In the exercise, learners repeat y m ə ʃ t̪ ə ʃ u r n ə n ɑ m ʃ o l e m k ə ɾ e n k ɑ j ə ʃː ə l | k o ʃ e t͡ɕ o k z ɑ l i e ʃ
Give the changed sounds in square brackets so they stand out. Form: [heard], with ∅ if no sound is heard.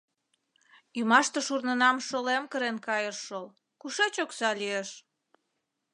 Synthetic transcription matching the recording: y m [ɑ] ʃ t̪ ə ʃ u r n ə n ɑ m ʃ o l e m k ə ɾ e n k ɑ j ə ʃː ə l | k [u] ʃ e t͡ɕ o k [s] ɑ l i e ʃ